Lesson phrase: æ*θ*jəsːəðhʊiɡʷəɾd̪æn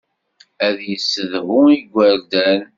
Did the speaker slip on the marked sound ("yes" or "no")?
yes